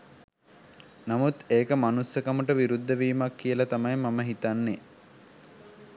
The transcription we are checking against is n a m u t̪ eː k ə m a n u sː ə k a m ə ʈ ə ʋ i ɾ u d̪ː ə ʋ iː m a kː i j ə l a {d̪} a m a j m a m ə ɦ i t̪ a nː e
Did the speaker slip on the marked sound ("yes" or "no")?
yes